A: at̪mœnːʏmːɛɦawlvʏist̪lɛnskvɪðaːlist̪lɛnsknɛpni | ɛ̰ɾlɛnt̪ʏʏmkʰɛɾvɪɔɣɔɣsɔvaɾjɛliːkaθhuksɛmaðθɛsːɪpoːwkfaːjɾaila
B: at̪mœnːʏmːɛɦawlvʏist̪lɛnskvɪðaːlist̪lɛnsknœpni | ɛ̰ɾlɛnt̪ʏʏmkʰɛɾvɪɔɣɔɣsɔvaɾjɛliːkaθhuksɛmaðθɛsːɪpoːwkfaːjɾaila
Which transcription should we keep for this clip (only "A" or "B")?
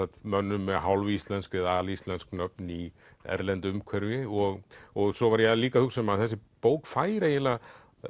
B